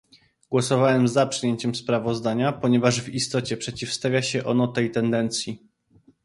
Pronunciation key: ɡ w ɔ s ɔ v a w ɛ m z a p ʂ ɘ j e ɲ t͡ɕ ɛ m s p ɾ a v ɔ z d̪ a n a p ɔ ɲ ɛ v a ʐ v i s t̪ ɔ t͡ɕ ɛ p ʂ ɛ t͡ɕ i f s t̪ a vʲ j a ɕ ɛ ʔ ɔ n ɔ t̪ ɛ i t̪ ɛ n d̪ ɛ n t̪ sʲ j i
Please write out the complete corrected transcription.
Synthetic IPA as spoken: ɡ w ɔ s ɔ v a w ɛ m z a p ʂ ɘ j e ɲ t͡ɕ ɛ m s p ɾ a v ɔ z d̪ a ɲ a p ɔ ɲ ɛ v a ʐ v i s t̪ ɔ t͡ɕ ɛ p ʂ ɛ t͡ɕ i f s t̪ a vʲ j a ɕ ɛ ʔ ɔ n ɔ t̪ ɛ j t̪ ɛ n d̪ ɛ n t̪ sʲ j i